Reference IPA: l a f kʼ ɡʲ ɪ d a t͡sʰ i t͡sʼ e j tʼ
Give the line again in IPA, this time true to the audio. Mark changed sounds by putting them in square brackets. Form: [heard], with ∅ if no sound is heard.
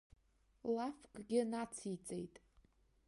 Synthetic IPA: l a f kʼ ɡʲ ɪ [n] a t͡sʰ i t͡sʼ e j tʼ